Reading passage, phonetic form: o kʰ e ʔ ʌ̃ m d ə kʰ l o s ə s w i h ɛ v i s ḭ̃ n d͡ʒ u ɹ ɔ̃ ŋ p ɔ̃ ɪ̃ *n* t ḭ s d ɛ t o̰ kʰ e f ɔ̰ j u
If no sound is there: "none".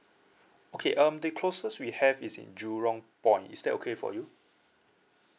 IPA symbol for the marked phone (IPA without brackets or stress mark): n